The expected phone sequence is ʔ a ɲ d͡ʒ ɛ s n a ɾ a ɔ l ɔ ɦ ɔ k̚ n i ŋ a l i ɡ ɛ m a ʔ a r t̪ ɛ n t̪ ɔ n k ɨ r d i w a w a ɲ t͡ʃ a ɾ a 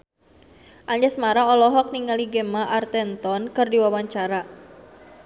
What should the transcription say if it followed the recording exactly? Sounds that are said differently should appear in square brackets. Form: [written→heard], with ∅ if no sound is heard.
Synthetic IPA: ʔ a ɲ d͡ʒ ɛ s [n→m] a ɾ a ɔ l ɔ ɦ ɔ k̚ n i ŋ a l i ɡ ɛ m a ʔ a r t̪ ɛ n t̪ ɔ n k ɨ r d i w a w a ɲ t͡ʃ a ɾ a